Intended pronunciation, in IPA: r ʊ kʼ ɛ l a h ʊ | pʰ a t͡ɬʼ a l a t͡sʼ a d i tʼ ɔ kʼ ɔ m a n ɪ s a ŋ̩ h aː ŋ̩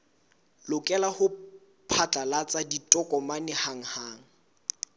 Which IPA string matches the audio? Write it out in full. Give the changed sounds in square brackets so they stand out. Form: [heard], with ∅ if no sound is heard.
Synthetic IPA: [l] ʊ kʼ ɛ l a h ʊ | pʰ a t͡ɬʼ a l a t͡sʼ a d i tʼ ɔ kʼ ɔ m a n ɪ [h] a ŋ̩ h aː ŋ̩